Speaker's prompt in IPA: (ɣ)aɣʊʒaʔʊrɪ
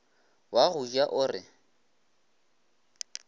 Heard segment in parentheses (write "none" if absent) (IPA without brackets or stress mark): w